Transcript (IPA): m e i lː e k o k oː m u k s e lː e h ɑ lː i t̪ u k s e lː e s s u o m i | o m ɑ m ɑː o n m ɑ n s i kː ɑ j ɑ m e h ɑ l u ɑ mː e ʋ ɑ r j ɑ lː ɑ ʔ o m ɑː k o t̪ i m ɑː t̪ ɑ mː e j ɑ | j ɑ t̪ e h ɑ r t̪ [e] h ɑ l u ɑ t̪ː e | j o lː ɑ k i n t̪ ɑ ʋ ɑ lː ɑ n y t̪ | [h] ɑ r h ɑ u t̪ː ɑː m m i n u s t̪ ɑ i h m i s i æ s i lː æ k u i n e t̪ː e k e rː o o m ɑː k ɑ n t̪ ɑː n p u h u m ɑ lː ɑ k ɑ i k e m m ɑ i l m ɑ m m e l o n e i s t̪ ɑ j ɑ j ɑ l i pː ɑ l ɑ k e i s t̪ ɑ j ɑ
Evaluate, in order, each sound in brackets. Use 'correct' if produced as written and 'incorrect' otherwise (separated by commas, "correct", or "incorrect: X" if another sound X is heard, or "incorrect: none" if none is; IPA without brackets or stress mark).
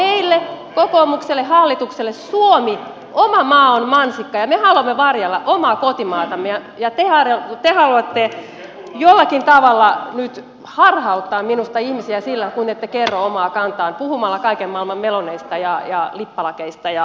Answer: correct, correct